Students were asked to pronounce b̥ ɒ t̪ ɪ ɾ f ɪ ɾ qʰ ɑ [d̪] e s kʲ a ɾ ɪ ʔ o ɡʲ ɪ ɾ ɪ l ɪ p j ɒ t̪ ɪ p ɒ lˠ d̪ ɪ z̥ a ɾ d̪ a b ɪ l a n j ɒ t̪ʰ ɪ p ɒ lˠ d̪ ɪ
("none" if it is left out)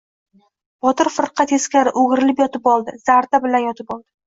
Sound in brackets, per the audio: t̪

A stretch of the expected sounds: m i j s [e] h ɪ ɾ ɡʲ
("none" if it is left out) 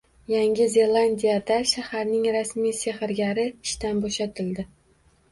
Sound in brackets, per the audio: e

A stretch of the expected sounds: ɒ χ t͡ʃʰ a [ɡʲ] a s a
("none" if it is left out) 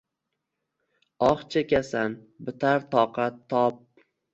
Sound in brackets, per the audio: kʲ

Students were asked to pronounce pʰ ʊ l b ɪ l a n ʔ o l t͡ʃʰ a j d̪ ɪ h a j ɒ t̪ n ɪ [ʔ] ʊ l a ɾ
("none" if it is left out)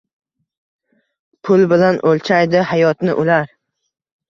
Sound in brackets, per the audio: ʔ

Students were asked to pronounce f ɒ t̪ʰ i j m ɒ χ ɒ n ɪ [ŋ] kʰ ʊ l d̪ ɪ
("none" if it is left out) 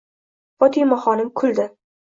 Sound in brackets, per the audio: m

